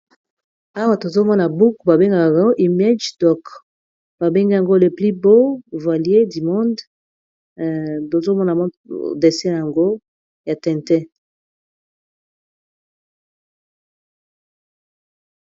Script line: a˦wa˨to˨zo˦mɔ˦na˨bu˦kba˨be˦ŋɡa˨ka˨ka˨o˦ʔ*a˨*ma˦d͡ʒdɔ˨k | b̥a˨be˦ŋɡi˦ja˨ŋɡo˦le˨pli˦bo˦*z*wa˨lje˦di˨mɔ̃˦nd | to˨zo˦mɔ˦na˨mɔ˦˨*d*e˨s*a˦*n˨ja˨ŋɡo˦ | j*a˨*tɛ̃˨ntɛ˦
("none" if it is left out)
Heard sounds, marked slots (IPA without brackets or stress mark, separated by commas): i˨, v, d, ɛ˦, a˨